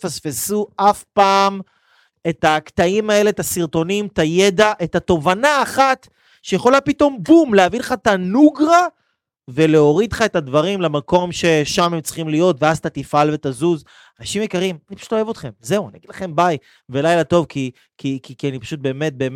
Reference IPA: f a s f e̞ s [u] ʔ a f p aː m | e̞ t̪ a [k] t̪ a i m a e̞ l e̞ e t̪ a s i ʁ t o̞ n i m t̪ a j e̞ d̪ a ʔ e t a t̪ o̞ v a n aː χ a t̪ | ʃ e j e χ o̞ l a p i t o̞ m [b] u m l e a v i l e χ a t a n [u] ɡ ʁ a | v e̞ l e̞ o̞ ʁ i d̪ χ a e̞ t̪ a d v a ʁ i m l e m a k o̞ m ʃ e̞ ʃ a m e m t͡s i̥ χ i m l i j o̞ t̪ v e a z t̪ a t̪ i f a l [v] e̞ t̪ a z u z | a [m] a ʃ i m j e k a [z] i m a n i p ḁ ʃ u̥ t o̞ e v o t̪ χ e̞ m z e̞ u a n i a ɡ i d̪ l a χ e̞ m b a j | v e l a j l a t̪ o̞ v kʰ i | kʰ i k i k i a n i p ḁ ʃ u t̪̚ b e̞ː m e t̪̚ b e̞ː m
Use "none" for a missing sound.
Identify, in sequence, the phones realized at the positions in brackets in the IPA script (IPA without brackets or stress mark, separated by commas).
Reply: u, k, b, u, v, n, ʁ